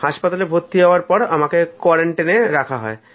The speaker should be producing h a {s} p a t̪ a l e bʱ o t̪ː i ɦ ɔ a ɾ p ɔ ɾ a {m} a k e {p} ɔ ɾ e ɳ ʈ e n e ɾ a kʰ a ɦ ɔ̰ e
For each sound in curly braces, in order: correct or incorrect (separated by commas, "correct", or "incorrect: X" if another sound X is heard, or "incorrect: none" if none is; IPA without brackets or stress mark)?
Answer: incorrect: ʃ, correct, incorrect: k